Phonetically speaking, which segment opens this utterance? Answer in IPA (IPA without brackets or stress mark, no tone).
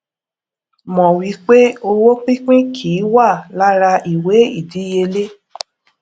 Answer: m